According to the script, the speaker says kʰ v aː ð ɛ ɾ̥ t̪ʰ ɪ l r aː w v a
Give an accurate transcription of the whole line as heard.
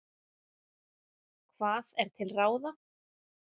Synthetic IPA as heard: kʰ v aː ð ɛ ɾ̥ t̪ʰ ɪ l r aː w ð a

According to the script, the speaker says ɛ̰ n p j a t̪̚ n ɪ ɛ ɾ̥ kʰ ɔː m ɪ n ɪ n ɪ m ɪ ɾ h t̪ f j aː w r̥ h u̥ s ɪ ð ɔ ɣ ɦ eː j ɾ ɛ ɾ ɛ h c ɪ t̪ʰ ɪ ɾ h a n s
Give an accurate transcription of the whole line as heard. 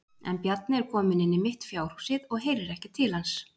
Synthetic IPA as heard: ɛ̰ n p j a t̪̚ n ɪ ɛ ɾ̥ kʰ ɔː m ɪ n ɪ nː ɪ m ɪ h t̪ f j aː w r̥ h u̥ s ɪ ð ɔ ɣ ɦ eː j ɾ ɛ ɾ ɛ h c ɪ t̪ʰ ɪ l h a n s

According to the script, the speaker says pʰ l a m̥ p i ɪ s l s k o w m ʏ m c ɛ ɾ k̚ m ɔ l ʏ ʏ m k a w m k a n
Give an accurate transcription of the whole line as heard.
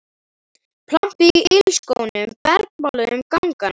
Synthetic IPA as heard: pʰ l a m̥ p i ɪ l s k o w n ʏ m p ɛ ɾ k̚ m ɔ l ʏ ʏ m k a w ŋ k a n

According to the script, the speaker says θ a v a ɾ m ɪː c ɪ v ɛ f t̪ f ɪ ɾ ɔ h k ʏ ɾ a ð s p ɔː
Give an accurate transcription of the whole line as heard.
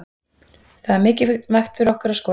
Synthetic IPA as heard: θ a ð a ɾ m ɪː c ɪ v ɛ x t̪ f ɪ ɾ ɔ h k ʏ ɾ a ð s k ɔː

